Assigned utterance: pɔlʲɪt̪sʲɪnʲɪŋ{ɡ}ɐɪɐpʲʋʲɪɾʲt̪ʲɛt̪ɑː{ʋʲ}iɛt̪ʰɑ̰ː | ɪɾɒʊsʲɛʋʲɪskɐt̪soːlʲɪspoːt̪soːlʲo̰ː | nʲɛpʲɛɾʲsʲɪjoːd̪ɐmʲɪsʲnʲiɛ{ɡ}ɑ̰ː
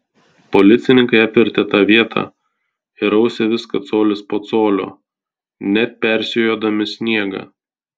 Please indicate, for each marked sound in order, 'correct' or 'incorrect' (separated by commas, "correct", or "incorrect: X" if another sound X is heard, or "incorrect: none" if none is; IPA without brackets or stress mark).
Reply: incorrect: k, correct, correct